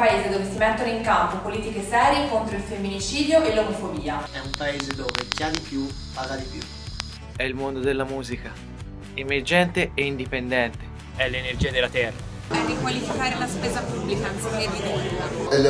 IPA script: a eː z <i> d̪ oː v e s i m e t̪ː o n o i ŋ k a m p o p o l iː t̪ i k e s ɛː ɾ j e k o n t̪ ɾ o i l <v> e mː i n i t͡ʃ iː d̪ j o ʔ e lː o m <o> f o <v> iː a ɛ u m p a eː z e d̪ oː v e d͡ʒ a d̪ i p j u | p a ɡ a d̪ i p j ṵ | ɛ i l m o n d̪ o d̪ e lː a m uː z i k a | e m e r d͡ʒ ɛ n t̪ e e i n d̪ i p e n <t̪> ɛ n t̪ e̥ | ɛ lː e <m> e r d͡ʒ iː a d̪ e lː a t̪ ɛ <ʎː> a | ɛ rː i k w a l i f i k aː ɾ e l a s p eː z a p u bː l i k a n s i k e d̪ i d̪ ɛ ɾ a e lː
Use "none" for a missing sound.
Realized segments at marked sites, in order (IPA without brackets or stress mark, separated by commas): e, f, o, b, d̪, n, rː